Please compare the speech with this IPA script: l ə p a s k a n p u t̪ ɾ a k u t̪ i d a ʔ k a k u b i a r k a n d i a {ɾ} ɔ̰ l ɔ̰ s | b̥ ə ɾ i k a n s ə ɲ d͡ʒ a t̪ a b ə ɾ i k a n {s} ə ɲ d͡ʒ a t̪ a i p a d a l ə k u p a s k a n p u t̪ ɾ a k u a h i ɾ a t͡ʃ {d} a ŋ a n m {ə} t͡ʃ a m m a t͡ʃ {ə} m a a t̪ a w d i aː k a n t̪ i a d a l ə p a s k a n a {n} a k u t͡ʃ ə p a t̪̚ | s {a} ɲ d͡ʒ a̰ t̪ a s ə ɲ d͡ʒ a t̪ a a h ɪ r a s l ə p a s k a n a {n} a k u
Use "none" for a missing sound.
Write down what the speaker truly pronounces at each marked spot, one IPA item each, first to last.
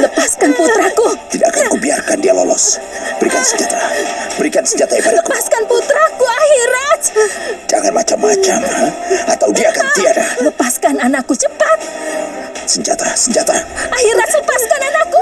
l, s, d͡ʒ, a, a, n, ə, n

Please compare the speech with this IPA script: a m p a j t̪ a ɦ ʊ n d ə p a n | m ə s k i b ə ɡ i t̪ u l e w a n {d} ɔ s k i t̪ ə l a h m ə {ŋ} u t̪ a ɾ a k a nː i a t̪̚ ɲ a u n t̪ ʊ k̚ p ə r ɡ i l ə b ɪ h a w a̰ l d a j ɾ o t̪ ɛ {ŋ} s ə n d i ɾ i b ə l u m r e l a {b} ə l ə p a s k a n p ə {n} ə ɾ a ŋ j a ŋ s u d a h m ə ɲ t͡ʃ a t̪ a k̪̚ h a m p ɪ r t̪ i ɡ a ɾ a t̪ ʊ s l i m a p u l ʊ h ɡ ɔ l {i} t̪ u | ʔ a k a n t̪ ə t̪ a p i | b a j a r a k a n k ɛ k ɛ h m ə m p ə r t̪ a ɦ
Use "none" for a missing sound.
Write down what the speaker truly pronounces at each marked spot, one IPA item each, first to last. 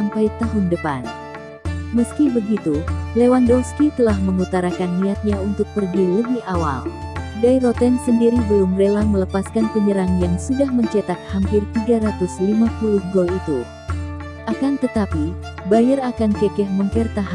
d, ŋ, n, m, ɲ, i

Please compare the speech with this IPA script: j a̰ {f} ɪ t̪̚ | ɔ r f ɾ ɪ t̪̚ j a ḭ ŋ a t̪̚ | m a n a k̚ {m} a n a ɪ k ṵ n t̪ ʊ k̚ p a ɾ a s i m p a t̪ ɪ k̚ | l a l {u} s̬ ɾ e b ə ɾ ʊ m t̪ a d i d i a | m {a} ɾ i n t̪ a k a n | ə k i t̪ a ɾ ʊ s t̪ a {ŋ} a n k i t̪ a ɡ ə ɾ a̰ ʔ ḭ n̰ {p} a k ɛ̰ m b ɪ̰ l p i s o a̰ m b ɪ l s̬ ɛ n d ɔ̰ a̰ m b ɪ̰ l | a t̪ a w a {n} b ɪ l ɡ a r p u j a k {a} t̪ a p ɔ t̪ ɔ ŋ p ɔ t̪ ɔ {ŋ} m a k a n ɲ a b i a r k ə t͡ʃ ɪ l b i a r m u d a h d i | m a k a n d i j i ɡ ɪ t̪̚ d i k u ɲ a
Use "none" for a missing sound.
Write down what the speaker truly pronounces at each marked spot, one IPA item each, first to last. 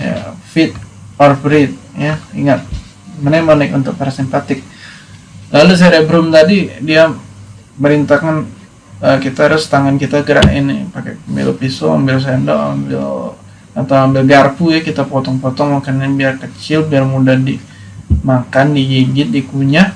f, m, u, ə, ŋ, p, m, i, ŋ

